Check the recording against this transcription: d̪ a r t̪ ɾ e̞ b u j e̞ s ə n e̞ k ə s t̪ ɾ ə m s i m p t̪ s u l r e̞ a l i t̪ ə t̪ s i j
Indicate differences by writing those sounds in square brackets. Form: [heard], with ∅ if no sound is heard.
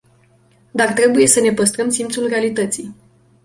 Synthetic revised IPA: d̪ a r t̪ ɾ e̞ b u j e̞ s ə n e̞ [p] ə s t̪ ɾ ə m s i m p t̪ s u l r e̞ a l i t̪ ə t̪ s i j